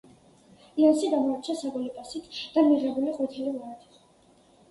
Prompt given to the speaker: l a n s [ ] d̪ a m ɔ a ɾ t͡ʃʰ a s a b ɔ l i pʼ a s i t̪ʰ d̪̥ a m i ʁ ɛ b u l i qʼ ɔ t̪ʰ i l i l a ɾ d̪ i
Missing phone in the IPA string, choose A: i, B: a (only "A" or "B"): A